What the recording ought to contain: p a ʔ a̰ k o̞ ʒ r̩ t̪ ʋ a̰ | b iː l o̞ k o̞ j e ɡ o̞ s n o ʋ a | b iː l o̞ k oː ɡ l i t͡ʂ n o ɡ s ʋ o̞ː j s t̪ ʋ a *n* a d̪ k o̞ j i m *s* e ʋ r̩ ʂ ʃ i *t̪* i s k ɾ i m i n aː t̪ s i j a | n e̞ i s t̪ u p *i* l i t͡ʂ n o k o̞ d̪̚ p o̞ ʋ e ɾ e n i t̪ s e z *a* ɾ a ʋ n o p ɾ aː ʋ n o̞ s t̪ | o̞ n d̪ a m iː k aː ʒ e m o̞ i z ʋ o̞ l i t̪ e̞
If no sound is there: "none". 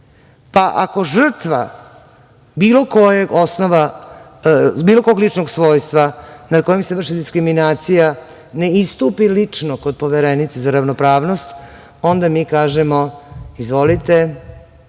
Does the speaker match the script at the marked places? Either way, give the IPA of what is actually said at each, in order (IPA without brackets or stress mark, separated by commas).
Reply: n, s, d̪, i, a